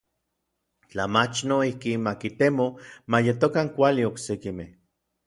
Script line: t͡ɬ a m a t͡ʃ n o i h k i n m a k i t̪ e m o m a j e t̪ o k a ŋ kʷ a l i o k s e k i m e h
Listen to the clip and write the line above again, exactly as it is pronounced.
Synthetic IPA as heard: t͡ɬ a m a t͡ʃ n o i h k i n m a k i t̪ e m o m a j e t̪ o k a ŋ kʷ a l i o k s e k i m e h

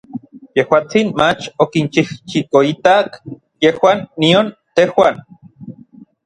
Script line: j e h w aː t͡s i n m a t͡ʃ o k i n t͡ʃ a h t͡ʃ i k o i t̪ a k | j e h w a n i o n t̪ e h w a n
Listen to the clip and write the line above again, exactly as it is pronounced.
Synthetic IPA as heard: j e h w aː t͡s i n m a t͡ʃ o k i n t͡ʃ i h t͡ʃ i k o i t̪ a k | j e h w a nː i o n t̪ e h w a n

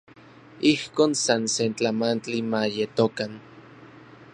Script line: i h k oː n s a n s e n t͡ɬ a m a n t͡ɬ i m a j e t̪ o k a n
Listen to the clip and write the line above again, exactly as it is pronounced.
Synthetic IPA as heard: i h k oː n s a n s e n t͡ɬ a m a n t͡ɬ i m a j e t̪ o k a n

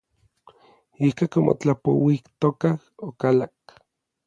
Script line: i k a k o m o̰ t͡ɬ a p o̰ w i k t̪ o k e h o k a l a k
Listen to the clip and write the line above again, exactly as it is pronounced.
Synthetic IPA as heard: i k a k o m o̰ t͡ɬ a p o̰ w i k t̪ o k a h o k a l a k

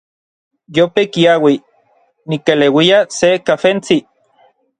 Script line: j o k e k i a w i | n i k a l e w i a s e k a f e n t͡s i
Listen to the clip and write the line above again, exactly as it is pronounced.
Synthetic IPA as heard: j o p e k i a w i | n i k e l e w i a s e k a f e n t͡s i

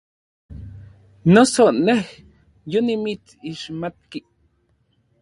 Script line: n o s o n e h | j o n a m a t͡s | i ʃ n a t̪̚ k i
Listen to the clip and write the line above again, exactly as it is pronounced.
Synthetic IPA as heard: n o s o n e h | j o n i m i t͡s | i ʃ m a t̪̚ k i

